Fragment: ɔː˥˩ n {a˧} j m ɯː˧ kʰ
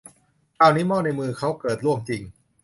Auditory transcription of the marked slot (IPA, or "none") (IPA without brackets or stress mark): a˧